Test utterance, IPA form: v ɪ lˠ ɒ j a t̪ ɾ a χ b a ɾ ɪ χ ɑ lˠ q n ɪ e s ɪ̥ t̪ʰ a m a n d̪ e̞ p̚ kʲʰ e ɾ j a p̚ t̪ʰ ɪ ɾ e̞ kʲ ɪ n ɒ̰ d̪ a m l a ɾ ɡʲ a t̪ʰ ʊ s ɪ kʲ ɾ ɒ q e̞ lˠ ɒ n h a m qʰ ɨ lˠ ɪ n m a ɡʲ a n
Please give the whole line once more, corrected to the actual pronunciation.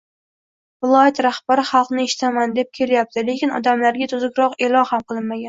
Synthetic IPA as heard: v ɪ lˠ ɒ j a t̪ ɾ a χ b a ɾ ɪ χ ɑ lˠ q n ɪ e ʃ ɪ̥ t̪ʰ a m a n d̪ e̞ p̚ kʲʰ e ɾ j a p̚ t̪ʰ ɪ l e̞ kʲ ɪ n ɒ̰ d̪ a m l a ɾ ɡʲ a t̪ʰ ʊ z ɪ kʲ ɾ ɒ q e̞ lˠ ɒ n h a m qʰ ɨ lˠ ɪ n m a ɡʲ a n